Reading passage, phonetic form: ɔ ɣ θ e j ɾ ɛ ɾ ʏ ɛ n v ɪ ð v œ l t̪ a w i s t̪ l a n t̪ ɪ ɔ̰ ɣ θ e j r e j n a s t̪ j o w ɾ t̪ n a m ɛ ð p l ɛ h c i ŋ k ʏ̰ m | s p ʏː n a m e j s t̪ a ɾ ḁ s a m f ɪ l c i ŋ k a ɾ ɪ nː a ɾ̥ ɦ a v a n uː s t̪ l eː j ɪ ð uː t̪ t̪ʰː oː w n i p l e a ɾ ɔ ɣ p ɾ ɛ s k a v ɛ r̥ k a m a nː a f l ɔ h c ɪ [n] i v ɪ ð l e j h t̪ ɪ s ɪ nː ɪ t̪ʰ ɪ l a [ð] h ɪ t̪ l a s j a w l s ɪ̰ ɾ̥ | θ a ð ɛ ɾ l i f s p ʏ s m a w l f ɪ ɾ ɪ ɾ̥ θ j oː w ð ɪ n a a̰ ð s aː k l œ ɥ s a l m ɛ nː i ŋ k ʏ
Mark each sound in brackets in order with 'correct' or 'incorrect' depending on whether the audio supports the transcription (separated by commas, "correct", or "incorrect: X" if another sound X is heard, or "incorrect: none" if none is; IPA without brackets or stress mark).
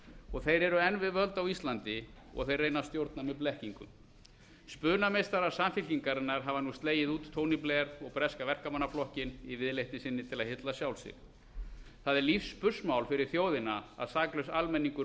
correct, correct